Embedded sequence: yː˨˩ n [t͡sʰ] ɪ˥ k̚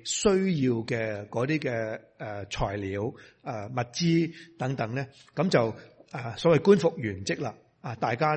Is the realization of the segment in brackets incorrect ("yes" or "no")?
yes